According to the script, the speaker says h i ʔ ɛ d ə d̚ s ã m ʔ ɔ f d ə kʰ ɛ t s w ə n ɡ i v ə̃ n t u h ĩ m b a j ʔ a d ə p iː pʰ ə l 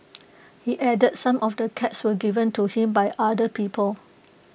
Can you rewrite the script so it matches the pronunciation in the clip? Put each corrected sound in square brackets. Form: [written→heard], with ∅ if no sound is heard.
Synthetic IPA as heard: h i ʔ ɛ d ə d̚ s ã m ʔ ɔ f d ə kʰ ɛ t s w ə [n→∅] ɡ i v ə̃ n t u h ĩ m b a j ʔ a d ə p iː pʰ ə l